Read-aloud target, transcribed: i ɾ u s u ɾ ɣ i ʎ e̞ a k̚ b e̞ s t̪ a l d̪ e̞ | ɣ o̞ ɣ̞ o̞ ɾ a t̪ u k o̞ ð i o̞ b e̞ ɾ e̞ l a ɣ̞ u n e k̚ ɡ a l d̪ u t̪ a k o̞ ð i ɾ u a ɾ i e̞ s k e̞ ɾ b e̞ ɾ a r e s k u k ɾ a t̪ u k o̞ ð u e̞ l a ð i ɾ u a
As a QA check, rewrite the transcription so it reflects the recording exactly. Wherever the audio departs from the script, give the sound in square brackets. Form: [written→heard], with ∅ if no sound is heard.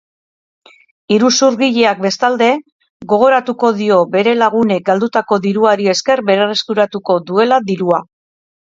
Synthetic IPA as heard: i ɾ u s u ɾ ɣ i ʎ e̞ a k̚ b e̞ s t̪ a l d̪ e̞ | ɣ o̞ ɣ̞ o̞ ɾ a t̪ u k o̞ ð i o̞ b e̞ ɾ e̞ l a ɣ̞ u n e k̚ ɡ a l d̪ u t̪ a k o̞ ð i ɾ u a ɾ i e̞ s k e̞ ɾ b e̞ ɾ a r e s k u [k→∅] ɾ a t̪ u k o̞ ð u e̞ l a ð i ɾ u a